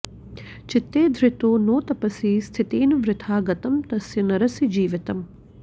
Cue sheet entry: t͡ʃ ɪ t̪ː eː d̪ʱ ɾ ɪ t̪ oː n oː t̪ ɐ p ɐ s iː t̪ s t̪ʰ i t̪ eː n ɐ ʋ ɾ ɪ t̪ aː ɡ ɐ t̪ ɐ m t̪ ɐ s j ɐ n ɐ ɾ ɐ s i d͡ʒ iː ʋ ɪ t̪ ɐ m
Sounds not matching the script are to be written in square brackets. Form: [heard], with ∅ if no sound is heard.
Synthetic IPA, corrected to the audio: t͡ʃ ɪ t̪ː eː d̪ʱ ɾ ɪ t̪ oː n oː t̪ ɐ p ɐ s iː [∅] s t̪ʰ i t̪ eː n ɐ ʋ ɾ ɪ [t̪ʰ] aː ɡ ɐ t̪ ɐ m t̪ ɐ s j ɐ n ɐ ɾ ɐ s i d͡ʒ iː ʋ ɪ t̪ ɐ m